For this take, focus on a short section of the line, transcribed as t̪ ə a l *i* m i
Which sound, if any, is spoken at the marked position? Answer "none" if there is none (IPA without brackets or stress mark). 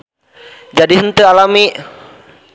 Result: a